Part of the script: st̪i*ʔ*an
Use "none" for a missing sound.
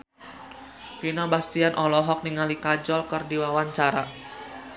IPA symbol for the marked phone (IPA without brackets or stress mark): none